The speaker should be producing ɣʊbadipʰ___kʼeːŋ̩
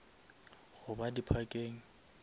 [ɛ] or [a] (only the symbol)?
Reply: a